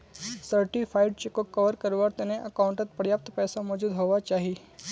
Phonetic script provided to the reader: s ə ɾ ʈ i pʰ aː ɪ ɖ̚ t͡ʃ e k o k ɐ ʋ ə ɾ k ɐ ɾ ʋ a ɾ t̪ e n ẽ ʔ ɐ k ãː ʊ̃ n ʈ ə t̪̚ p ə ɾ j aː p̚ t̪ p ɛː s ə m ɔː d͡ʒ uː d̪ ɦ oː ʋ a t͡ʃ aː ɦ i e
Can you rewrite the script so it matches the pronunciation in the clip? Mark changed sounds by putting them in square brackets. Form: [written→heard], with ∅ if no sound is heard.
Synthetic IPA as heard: s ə ɾ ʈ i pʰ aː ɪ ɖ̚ t͡ʃ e k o k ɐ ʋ ə ɾ k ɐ ɾ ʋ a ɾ t̪ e n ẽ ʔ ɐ k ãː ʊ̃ [n→ɳ] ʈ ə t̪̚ p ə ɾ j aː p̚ t̪ p ɛː s [ə→a] m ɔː d͡ʒ uː d̪ ɦ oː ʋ a t͡ʃ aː ɦ i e